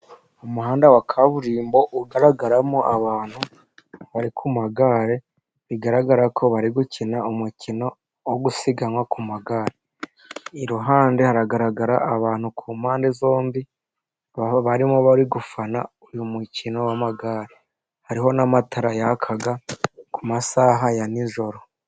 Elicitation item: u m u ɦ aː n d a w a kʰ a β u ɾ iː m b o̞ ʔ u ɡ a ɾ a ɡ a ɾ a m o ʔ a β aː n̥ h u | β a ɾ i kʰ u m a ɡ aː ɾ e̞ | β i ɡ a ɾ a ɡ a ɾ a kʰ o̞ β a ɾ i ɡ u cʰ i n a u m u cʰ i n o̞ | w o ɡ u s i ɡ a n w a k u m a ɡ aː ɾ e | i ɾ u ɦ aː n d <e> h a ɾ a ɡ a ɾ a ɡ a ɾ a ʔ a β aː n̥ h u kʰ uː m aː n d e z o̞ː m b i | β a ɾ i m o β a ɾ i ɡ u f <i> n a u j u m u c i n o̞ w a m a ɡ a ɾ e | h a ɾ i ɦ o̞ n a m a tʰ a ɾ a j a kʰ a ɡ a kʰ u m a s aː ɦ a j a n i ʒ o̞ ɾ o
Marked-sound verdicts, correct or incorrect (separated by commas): correct, incorrect